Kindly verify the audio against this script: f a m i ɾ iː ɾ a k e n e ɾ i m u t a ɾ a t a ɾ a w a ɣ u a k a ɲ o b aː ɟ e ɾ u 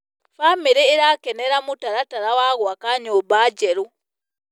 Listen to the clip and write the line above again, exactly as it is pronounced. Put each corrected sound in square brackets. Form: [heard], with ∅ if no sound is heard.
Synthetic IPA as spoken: f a m i ɾ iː ɾ a k e n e ɾ [a] m u t a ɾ a t a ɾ a w a ɣ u a k a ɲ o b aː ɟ e ɾ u